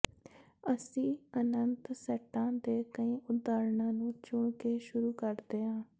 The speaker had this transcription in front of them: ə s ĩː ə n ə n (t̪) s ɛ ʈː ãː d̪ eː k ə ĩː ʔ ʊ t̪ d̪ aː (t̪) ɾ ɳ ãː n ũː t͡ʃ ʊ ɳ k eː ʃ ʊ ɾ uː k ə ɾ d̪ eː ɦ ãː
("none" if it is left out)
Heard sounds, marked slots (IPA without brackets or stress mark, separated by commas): t̪, none